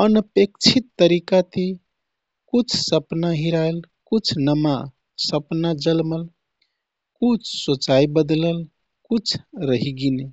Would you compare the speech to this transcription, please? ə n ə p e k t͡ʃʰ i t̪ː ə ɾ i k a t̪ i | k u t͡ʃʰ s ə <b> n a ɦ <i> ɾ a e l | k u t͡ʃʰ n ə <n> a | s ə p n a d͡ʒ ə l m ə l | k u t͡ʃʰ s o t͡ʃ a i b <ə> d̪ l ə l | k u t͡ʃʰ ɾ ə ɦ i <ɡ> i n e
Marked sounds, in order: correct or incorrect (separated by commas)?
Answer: incorrect, correct, incorrect, correct, correct